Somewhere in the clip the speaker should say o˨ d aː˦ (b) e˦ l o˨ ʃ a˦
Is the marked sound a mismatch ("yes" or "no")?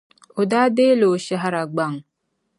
yes